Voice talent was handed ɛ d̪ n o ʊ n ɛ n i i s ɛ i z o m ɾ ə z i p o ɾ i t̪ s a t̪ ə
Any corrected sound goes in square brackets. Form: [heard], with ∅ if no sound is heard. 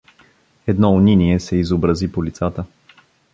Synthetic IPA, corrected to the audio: ɛ d̪ n [ɔ] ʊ n [i] n i [ɛ] s ɛ i z o [b] ɾ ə z i p o [l] i t̪ s a t̪ ə